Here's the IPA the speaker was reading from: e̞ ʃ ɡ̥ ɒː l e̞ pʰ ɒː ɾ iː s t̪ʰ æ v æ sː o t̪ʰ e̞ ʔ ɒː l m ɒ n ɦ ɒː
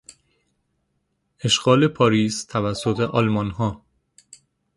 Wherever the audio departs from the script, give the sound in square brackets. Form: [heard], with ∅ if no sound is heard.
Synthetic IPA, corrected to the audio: e̞ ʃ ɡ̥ ɒː l e̞ pʰ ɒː ɾ iː s t̪ʰ æ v æ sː o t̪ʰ e̞ ʔ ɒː l m ɒ n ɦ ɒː

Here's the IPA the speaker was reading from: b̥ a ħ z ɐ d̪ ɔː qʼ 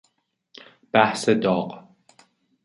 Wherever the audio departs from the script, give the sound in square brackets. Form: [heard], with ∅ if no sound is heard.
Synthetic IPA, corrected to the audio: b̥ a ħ [s] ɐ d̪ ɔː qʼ

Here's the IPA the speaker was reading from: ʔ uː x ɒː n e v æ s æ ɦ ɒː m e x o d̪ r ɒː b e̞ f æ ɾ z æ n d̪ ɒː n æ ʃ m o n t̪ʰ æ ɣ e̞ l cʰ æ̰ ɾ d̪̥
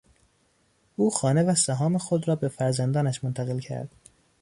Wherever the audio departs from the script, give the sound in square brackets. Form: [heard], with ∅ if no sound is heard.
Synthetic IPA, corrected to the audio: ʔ uː x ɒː n e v æ s æ ɦ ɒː m e x o d̪ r ɒː b e̞ f æ ɾ z æ n d̪ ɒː n æ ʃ m o n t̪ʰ æ ɣ e̞ l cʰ æ̰ ɾ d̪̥

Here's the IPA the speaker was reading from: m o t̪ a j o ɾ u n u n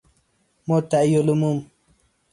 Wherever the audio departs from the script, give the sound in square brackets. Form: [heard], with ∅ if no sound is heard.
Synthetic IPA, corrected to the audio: m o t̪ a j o [l] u [m] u [m]

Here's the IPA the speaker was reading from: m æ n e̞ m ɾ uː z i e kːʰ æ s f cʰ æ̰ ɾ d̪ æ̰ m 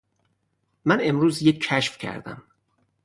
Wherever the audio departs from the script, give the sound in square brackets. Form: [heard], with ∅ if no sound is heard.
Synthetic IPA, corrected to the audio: m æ n e̞ m ɾ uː z [j] e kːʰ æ [ʃ] f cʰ æ̰ ɾ d̪ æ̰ m

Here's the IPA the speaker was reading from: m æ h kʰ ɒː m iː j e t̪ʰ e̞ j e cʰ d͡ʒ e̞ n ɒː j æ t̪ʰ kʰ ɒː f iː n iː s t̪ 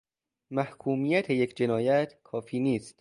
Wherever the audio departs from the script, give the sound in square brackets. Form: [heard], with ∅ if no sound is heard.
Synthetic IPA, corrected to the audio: m æ h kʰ [uː] m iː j [æ] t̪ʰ e̞ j e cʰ d͡ʒ e̞ n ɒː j æ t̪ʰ kʰ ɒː f iː n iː s t̪

